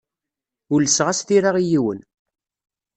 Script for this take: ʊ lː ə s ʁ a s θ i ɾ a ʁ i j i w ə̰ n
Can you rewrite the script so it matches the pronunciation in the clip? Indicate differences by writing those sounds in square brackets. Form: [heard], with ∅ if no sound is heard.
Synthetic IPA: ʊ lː ə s ʁ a s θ i ɾ a ʁ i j i w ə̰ n